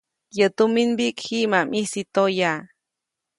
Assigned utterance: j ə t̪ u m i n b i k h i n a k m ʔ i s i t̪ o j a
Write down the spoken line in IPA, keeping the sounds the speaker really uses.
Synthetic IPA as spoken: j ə t̪ u m i n b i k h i m a m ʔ i s i t̪ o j a

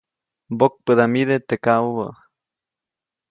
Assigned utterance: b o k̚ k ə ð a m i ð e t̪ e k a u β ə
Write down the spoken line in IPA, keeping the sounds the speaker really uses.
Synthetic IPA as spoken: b o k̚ p ə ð a m i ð e t̪ e k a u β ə

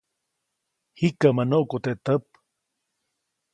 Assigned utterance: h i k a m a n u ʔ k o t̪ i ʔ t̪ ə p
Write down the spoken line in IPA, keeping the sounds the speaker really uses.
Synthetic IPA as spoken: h i k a m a n o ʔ k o t̪ e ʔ t̪ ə p

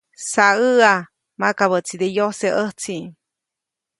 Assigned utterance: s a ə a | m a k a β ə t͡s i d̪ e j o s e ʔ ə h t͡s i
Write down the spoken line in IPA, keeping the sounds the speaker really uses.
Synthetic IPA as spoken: s a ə a | m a k a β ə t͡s i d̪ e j o s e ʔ ə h t͡s i

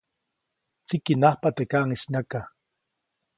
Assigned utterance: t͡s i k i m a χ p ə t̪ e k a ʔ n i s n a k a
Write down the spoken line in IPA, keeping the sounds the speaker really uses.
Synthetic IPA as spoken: t͡s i k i n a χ p a t̪ e k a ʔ ŋ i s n a k a

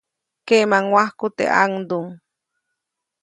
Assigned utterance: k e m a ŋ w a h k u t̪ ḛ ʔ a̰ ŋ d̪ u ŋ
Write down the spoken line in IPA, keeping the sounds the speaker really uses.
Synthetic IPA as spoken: k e m a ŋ w a h k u t̪ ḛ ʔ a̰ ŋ d̪ u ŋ

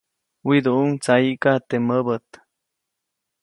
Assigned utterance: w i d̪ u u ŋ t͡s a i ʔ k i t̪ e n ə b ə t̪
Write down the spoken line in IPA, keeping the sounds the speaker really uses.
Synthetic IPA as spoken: w i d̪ u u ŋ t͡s a i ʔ k a t̪ e m ə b ə t̪

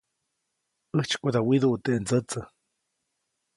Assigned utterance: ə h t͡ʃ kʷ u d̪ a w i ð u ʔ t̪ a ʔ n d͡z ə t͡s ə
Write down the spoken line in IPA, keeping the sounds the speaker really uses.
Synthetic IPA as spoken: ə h t͡ʃ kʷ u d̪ a w i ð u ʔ t̪ e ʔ n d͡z ə t͡s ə

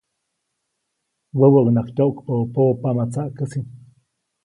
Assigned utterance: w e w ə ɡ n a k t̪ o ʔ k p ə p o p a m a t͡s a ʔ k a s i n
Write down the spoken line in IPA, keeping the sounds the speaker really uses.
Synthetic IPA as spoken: w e w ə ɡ n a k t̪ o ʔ k p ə p o p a m a t͡s a ʔ k ə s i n

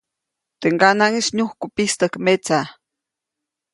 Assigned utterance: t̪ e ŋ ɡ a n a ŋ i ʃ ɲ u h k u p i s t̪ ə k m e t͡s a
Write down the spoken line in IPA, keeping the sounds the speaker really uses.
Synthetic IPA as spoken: t̪ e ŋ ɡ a n a ŋ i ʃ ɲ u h k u p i s t̪ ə k m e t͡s a

